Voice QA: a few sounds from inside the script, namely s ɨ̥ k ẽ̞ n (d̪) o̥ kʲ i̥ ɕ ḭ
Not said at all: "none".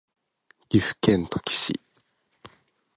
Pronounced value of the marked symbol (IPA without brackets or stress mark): t̪